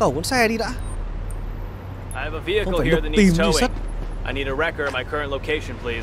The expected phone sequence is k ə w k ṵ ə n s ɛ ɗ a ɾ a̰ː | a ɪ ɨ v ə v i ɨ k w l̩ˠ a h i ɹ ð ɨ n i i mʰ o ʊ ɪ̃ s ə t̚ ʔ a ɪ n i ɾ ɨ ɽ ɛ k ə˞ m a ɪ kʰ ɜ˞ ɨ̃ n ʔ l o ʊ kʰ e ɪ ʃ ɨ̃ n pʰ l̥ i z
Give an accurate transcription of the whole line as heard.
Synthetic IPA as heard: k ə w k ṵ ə n s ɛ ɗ i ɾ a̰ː | a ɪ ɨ v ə v i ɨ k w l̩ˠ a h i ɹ ð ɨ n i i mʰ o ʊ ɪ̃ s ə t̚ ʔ a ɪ n i ɾ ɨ ɹ ɛ k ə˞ m a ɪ kʰ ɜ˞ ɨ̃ n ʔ l o ʊ kʰ e ɪ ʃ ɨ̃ n pʰ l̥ i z